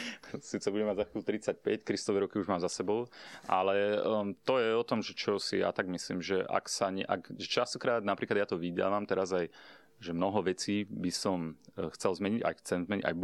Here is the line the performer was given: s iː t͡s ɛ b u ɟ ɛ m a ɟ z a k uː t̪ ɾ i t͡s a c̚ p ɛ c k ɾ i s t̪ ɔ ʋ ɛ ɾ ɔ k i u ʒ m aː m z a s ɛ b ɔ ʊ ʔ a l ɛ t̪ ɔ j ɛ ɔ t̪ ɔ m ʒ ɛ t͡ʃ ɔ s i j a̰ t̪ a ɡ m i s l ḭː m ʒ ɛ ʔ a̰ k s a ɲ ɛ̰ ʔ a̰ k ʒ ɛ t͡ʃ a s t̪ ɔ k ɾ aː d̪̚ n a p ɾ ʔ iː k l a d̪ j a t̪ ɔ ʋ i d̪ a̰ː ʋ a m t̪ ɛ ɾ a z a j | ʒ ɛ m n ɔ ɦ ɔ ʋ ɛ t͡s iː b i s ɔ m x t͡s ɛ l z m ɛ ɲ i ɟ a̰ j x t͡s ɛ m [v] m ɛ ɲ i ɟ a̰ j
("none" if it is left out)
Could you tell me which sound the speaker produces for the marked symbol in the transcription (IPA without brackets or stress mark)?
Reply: z